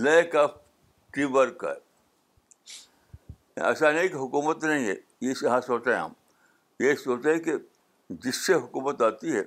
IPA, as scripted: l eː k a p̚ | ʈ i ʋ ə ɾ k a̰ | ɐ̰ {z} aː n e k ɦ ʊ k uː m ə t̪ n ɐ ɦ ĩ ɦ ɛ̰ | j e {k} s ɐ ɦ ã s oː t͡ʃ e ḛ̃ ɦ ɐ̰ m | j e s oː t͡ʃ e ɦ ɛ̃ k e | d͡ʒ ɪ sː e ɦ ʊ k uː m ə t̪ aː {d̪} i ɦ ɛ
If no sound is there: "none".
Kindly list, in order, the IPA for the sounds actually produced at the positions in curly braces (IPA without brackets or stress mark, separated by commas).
s, none, t̪